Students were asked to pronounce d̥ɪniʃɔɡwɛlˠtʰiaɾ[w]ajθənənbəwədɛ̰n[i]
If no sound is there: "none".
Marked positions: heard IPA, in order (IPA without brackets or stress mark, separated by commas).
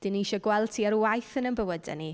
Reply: w, i